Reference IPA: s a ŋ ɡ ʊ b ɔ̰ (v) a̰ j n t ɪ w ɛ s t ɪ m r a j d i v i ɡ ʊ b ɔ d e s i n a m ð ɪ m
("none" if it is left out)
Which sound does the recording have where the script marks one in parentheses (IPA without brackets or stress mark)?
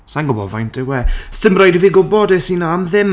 v